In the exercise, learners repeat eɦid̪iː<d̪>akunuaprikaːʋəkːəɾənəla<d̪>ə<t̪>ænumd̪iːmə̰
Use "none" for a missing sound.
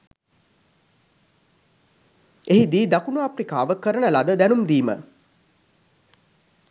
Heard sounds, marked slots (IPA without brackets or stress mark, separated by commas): d̪, d̪, d̪